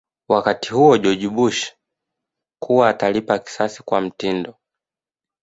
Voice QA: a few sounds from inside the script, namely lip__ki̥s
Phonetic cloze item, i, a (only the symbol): a